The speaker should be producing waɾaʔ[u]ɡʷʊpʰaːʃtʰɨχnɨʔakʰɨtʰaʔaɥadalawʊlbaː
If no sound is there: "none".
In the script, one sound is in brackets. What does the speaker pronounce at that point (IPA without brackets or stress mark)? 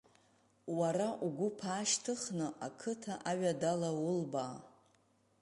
u